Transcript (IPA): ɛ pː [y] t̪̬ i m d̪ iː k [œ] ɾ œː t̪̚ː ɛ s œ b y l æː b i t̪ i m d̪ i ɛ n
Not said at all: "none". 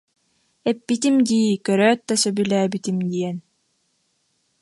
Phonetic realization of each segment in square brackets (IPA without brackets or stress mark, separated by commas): i, œ